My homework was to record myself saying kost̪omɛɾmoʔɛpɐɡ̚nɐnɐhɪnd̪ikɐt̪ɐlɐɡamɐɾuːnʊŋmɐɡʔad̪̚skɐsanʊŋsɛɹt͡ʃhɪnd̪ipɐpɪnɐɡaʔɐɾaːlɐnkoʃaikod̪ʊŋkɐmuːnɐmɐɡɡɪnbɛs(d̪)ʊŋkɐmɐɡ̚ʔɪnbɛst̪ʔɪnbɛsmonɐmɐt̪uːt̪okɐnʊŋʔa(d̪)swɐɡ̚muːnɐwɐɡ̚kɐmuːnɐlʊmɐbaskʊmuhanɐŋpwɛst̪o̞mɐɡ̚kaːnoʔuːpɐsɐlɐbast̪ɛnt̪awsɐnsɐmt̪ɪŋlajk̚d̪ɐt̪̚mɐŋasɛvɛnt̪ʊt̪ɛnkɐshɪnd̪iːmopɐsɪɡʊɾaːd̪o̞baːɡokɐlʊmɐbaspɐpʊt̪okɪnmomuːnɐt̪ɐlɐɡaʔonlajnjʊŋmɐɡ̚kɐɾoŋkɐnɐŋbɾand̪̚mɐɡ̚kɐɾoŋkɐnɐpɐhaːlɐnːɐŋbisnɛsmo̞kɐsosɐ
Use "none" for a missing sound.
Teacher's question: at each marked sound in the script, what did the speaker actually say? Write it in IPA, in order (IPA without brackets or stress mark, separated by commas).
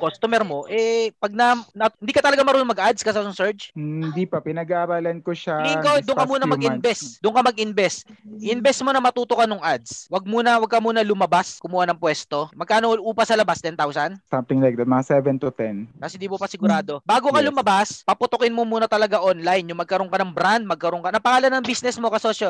d̪, d̪